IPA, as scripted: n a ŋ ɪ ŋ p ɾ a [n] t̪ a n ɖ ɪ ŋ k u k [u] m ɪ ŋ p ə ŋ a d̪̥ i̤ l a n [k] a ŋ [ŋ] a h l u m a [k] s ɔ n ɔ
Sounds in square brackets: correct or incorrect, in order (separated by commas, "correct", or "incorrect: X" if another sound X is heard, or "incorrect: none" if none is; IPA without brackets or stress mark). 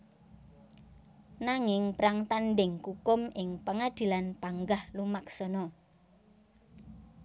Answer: incorrect: ŋ, incorrect: ʊ, incorrect: p, incorrect: ɡ, correct